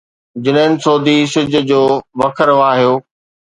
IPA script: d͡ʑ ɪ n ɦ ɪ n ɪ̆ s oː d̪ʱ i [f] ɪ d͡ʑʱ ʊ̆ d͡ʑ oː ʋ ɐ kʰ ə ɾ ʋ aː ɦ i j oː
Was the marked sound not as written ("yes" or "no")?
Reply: yes